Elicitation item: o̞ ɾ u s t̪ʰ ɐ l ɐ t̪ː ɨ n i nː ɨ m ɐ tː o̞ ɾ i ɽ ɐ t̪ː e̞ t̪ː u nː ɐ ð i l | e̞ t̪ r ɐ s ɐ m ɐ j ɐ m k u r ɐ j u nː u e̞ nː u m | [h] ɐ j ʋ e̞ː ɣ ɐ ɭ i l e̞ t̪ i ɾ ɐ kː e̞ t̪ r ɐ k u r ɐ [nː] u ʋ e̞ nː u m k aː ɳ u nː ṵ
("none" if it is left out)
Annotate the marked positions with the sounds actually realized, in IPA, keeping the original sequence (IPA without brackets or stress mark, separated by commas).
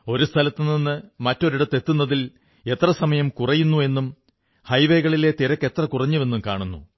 h, ɲː